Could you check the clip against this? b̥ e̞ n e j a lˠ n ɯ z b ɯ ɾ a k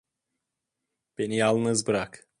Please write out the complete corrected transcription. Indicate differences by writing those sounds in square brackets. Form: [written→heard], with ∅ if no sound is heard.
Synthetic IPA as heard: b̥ e̞ n [e→i] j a lˠ n ɯ z b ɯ ɾ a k